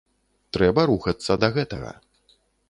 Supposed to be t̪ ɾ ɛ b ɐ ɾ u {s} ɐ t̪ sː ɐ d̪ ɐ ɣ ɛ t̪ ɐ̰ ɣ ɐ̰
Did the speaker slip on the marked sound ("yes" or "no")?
yes